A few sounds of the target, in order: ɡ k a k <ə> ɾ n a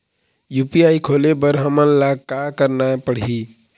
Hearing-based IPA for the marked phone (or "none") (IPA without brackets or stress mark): ə